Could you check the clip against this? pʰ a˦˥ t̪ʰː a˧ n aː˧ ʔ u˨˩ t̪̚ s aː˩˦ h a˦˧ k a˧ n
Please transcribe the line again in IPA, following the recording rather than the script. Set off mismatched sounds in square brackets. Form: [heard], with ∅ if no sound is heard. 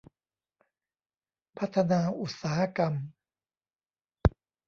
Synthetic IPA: pʰ a˦˥ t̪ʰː a˧ n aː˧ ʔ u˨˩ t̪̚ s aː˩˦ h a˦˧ k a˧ [m]

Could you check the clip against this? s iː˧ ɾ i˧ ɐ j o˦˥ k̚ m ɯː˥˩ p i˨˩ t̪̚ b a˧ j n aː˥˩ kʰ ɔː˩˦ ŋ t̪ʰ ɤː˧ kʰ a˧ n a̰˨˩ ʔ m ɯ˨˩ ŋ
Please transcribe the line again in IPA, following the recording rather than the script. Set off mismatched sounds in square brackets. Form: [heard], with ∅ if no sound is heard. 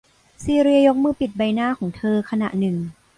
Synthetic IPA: s iː˧ ɾ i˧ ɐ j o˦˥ k̚ m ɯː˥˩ p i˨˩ t̪̚ b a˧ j n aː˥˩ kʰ ɔː˩˦ ŋ t̪ʰ ɤː˧ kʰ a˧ n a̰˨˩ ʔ [n] ɯ˨˩ ŋ

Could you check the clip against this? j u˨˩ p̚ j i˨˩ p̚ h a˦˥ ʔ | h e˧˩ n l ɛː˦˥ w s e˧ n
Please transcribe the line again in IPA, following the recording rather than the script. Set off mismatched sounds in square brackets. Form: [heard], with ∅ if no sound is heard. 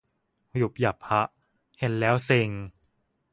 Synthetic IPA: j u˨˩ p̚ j [a˨˩] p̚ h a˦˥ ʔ | h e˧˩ n l ɛː˦˥ w s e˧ [ŋ]

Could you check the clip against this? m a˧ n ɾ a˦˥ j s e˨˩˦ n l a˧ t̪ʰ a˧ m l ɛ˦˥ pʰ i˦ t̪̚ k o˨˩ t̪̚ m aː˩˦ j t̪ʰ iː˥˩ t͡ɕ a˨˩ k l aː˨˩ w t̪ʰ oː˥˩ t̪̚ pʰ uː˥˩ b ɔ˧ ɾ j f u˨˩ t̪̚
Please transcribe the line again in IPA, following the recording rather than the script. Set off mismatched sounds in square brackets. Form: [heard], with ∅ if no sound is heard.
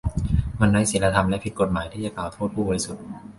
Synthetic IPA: m a˧ n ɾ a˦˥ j s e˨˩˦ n l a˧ t̪ʰ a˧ m l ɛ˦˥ pʰ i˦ t̪̚ k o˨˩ t̪̚ m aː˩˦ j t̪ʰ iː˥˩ t͡ɕ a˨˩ k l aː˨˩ w t̪ʰ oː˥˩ t̪̚ pʰ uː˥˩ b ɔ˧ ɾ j [s] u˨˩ t̪̚

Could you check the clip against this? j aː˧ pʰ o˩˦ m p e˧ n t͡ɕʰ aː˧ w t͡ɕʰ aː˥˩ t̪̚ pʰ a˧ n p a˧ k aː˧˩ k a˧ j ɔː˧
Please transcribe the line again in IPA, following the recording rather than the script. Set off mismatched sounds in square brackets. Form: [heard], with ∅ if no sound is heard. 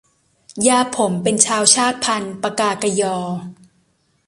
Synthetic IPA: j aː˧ pʰ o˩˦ m p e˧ n t͡ɕʰ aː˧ w t͡ɕʰ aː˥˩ t̪̚ pʰ a˧ n p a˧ k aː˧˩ k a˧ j ɔː˧

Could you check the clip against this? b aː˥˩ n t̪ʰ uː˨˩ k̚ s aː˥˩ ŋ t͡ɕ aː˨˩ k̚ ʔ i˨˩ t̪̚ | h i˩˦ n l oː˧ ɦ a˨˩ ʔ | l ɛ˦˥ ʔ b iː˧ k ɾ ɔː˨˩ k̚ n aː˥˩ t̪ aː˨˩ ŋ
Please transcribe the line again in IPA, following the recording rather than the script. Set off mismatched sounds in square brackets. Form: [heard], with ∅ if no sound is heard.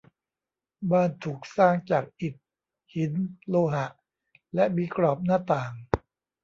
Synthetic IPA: b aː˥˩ n t̪ʰ uː˨˩ k̚ s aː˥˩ ŋ t͡ɕ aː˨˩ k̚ ʔ i˨˩ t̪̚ | h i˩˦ n l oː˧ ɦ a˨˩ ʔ | l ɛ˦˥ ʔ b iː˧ k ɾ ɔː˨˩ [p̚] n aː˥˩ t̪ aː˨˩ ŋ

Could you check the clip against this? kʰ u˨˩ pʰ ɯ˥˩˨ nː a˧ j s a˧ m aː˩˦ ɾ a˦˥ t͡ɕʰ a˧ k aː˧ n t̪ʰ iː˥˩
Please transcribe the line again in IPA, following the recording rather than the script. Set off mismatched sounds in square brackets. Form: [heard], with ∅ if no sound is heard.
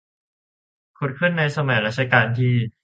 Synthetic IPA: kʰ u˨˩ [kʰ] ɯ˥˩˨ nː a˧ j s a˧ m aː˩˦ ɾ a˦˥ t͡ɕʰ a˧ k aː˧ n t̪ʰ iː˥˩

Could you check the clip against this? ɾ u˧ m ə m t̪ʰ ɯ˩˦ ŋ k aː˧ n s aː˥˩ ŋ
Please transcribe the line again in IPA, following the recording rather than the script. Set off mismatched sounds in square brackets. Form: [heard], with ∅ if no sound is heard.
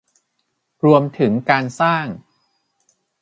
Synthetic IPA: ɾ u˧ [∅] ə m t̪ʰ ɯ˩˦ ŋ k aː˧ n s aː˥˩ ŋ

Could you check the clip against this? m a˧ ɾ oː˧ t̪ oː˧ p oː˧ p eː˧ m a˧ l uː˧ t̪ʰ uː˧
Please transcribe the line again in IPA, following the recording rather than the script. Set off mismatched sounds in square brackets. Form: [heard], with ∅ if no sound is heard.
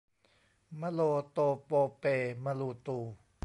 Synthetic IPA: m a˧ [l] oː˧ t̪ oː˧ p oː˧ p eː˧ m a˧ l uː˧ [t̪] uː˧

